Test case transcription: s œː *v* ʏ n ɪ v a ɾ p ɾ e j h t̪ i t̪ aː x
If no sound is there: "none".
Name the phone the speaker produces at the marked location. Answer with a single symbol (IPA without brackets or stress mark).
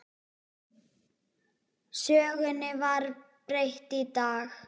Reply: ɣ